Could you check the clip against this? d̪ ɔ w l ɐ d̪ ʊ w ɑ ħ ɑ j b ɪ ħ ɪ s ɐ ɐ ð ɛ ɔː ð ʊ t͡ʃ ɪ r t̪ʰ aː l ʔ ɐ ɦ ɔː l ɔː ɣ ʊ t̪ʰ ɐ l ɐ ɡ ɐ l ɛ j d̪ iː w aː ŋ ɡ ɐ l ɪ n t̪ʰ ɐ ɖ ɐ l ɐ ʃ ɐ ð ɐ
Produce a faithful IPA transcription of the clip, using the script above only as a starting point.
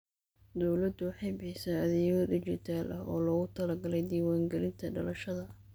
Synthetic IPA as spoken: d̪ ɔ w l ɐ d̪ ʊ w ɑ ħ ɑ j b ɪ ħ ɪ s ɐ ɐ ð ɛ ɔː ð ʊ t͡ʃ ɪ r t̪ʰ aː l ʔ ɐ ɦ ɔː l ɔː ɣ ʊ t̪ʰ ɐ l ɐ ɡ ɐ l ɛ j d̪ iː w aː ŋ ɡ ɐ l ɪ n t̪ʰ ɐ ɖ ɐ l ɐ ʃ ɐ ð ɐ